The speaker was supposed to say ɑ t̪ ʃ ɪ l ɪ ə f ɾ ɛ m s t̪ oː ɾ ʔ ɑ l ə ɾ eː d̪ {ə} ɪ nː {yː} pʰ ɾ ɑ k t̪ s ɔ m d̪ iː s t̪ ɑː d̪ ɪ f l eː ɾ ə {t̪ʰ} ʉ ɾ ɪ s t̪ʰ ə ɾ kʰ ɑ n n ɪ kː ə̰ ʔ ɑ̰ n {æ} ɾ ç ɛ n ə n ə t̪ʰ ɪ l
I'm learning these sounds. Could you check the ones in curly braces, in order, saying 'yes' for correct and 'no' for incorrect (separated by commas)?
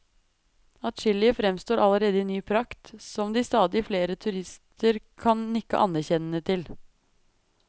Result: yes, yes, yes, yes